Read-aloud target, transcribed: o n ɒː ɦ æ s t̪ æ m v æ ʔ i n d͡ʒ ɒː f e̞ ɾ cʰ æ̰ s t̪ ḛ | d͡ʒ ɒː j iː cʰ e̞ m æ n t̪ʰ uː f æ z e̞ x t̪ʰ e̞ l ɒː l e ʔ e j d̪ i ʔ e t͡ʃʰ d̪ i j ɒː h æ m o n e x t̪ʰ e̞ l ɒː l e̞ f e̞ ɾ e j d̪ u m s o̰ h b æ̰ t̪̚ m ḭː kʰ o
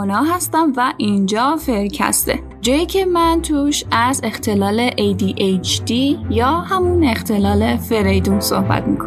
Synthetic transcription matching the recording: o n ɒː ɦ æ s t̪ æ m v æ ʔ i n d͡ʒ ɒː f e̞ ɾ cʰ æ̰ s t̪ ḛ | d͡ʒ ɒː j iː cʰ e̞ m æ n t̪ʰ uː ʃ æ z e̞ x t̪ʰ e̞ l ɒː l e ʔ e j d̪ i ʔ e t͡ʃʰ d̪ i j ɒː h æ m u n e x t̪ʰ e̞ l ɒː l e̞ f e̞ ɾ e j d̪ u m s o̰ h b æ̰ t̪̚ m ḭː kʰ o